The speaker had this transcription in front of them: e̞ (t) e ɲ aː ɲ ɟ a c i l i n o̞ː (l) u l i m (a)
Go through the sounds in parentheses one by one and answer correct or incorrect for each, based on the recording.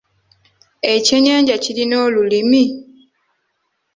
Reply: incorrect: c, correct, incorrect: i

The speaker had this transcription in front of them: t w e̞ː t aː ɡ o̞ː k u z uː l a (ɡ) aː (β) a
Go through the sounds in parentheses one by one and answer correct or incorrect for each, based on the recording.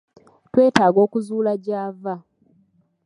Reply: incorrect: ɟ, incorrect: v

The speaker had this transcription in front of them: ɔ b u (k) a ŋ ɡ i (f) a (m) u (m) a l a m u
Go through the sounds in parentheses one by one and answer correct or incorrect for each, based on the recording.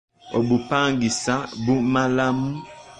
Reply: incorrect: p, incorrect: s, incorrect: b, correct

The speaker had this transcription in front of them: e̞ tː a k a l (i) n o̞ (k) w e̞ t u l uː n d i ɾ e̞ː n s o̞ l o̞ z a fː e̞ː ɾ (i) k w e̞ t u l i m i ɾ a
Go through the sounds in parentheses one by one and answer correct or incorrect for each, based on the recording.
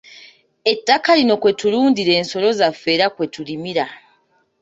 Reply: correct, correct, incorrect: a

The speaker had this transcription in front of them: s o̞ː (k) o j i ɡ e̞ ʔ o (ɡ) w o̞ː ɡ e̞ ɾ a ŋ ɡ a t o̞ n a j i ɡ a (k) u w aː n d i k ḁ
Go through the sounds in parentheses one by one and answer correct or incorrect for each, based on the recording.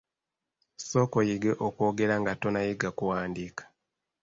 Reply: correct, incorrect: k, correct

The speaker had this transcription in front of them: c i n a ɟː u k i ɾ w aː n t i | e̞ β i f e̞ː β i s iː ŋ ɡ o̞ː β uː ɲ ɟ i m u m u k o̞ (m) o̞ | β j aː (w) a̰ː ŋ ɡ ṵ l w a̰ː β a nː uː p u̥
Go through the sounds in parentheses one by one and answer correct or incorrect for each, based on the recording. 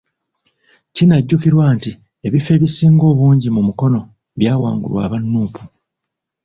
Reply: incorrect: n, correct

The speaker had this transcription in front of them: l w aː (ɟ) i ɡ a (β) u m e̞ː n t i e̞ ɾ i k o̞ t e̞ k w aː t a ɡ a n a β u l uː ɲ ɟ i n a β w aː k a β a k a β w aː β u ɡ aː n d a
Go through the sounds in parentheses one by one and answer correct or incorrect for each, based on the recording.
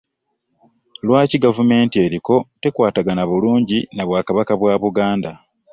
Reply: incorrect: c, incorrect: v

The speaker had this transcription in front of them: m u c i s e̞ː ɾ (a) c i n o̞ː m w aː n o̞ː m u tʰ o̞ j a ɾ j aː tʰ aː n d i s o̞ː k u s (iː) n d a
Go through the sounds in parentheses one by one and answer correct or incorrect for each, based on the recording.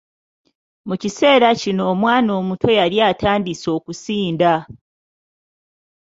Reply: correct, correct

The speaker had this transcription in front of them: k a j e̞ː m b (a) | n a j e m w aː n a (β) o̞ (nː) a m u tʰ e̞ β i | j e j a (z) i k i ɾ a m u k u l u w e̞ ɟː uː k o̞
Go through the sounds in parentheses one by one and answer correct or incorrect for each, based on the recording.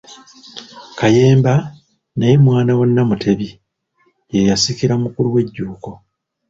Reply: correct, incorrect: w, correct, incorrect: s

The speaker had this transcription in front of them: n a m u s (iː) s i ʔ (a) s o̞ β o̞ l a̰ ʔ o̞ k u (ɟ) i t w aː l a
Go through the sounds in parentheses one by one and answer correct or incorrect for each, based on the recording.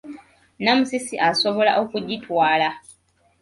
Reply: incorrect: i, correct, correct

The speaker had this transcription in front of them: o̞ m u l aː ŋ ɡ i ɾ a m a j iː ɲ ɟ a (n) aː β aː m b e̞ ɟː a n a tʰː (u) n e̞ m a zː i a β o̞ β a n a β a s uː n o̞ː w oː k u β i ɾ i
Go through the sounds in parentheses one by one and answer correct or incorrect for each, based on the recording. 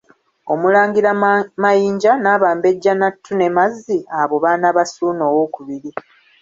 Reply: correct, correct

